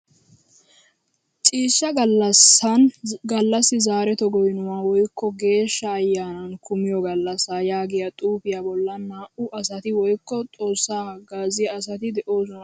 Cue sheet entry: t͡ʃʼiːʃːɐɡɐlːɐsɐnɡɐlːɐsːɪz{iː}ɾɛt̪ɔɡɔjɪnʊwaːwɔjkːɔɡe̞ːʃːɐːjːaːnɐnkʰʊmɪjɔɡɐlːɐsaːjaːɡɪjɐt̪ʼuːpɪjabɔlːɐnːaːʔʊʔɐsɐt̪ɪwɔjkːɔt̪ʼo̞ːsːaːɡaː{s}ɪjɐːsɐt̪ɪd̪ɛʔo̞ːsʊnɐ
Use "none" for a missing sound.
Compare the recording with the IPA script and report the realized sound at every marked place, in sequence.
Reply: aː, z

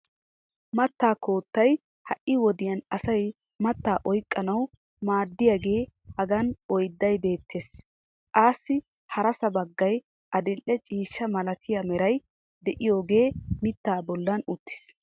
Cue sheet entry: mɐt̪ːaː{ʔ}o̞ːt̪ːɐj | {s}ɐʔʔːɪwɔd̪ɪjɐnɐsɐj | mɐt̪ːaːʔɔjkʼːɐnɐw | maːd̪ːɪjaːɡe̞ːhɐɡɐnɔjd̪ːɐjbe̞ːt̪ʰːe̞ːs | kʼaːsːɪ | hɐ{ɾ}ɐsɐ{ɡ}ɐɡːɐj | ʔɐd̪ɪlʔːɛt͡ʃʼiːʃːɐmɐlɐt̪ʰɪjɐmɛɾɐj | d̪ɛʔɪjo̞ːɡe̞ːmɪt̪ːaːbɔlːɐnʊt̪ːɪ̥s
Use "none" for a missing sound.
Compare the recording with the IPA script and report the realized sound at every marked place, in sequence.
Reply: k, h, ɾ, b

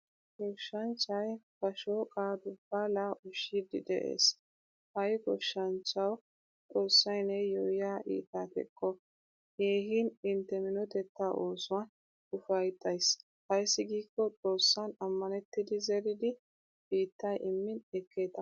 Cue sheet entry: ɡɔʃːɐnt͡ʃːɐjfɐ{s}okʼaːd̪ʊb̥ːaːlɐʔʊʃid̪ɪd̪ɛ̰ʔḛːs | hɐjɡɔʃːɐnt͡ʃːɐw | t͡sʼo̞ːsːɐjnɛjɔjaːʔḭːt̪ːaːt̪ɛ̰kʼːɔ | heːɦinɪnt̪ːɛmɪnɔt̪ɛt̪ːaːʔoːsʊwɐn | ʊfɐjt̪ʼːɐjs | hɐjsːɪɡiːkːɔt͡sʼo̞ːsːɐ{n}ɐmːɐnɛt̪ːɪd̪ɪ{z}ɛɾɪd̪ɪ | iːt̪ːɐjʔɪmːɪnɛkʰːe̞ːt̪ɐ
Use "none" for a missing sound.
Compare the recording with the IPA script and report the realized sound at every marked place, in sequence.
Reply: ʃ, n, z

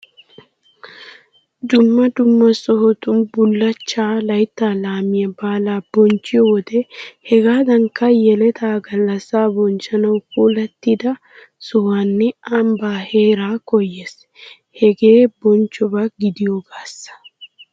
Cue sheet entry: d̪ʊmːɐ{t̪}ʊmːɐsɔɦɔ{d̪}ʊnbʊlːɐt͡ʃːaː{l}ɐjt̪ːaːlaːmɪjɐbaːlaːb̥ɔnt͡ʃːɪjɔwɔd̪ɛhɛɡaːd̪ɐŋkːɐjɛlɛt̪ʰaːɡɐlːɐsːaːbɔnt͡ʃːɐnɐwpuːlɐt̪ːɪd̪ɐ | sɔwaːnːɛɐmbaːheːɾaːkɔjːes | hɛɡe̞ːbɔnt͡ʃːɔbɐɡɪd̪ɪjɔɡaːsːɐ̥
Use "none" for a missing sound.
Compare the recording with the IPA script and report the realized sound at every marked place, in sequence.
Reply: d̪, t̪, l

